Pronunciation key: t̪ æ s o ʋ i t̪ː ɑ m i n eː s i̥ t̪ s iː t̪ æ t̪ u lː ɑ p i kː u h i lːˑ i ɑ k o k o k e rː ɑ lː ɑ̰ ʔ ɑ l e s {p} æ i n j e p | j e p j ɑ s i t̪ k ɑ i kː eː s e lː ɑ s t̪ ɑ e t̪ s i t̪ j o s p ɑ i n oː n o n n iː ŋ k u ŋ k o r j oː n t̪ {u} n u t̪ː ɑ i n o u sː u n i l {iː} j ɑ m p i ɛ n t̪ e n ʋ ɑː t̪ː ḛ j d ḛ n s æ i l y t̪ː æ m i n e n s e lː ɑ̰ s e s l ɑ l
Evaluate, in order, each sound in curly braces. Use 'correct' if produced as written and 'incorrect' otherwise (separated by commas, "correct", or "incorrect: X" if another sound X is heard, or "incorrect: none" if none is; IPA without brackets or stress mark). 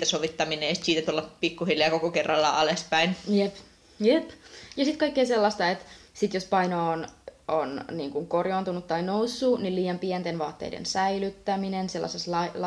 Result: correct, correct, correct